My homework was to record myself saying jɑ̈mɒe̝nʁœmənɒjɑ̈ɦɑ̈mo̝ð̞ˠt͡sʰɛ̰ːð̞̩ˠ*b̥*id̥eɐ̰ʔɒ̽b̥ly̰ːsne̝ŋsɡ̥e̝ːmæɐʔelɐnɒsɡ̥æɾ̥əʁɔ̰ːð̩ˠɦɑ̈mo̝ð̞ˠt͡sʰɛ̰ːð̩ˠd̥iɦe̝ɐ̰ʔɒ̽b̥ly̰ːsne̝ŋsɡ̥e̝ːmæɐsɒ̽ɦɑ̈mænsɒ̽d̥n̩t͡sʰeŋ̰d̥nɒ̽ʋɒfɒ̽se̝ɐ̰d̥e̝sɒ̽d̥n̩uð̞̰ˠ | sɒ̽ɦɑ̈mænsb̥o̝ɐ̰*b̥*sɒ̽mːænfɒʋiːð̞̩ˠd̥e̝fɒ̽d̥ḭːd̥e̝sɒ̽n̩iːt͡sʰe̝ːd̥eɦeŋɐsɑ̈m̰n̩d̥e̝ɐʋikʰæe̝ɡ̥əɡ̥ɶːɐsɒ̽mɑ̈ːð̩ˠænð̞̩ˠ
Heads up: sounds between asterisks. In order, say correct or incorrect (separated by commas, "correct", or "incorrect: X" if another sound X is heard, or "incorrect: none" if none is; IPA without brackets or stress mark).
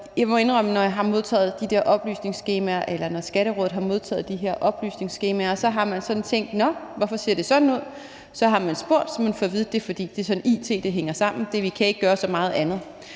incorrect: d̥, incorrect: d̥